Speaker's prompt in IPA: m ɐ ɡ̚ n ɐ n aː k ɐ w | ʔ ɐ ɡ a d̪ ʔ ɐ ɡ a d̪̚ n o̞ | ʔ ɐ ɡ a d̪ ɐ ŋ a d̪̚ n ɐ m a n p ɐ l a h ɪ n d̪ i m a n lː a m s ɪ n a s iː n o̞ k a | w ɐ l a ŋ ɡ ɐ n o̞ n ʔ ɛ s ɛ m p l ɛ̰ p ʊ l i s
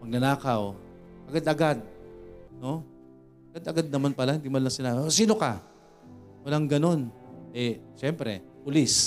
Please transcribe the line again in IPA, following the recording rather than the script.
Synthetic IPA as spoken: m ɐ ɡ̚ n ɐ n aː k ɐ w | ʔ ɐ ɡ a d̪ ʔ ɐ ɡ a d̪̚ n o̞ | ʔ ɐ ɡ a d̪ ɐ ɡ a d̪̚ n ɐ m a n p ɐ l a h ɪ n d̪ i m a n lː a ŋ s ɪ n a s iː n o̞ k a | w ɐ l a ŋ ɡ ɐ n o̞ n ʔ ɛ ʃ ɛ m p ɾ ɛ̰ p ʊ l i s